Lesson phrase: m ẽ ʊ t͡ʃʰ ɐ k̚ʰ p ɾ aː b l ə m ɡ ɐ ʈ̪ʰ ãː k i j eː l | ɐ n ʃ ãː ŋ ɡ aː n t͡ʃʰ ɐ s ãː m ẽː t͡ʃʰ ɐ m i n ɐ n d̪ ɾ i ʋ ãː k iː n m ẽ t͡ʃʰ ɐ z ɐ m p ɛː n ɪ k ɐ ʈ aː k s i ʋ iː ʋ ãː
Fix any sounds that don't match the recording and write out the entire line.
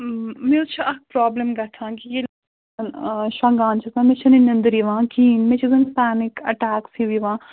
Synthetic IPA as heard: m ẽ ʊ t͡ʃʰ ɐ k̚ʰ p ɾ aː b l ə m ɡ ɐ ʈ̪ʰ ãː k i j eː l | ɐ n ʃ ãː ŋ ɡ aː n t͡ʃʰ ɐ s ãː m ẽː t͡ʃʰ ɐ n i n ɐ n d̪ ɾ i ʋ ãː k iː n m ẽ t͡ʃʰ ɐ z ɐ n p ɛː n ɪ k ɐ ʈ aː k s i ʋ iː ʋ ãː